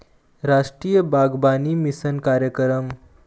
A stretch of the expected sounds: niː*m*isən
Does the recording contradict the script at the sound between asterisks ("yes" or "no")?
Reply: no